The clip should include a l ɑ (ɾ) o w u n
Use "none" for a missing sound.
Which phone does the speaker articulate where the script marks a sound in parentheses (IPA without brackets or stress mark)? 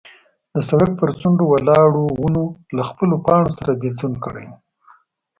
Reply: ɽ